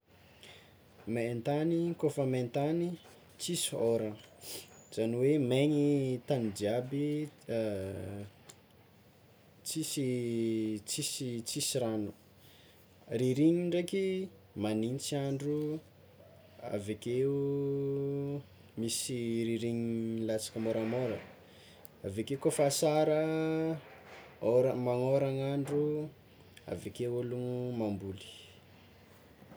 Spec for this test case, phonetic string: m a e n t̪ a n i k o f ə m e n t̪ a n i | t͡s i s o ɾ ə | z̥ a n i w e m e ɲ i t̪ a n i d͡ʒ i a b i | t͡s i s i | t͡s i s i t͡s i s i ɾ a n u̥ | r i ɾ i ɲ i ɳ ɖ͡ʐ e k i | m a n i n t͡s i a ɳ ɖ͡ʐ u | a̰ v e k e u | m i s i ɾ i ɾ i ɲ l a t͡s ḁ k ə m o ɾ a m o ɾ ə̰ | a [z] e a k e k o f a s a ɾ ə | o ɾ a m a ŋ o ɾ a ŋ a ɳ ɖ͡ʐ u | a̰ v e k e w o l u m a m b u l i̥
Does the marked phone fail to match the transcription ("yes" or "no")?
yes